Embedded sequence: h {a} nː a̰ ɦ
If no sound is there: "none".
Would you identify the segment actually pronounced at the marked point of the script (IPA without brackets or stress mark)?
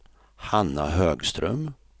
a